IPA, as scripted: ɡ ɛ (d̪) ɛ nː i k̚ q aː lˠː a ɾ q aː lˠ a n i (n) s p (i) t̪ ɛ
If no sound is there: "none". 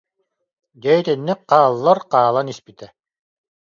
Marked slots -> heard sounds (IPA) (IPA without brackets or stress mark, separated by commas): t̪, none, i